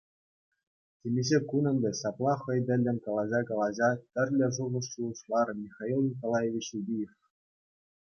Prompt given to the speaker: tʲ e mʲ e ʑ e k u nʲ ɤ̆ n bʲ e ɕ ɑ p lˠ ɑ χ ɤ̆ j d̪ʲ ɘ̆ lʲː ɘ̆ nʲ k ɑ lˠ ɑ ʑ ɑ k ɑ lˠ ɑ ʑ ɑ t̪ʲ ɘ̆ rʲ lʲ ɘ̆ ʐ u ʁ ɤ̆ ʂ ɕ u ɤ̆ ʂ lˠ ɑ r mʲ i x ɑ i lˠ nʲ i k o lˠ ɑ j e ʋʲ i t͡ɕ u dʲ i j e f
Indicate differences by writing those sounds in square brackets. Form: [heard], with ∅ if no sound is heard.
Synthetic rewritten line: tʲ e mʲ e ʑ e k u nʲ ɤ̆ n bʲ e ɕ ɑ p lˠ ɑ χ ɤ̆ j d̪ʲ ɘ̆ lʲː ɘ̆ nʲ k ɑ lˠ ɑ ʑ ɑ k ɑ lˠ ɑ ʑ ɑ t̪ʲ ɘ̆ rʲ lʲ ɘ̆ ʐ u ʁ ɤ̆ ʂ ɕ u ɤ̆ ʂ lˠ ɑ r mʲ i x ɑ i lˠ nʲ i k o lˠ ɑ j e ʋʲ i t͡ɕ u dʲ i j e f